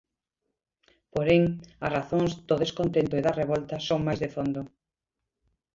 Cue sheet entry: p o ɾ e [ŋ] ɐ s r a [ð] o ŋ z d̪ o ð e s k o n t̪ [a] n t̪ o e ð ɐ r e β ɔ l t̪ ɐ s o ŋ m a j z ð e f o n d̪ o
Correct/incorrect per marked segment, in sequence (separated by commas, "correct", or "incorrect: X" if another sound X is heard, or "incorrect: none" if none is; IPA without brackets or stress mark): correct, incorrect: θ, incorrect: e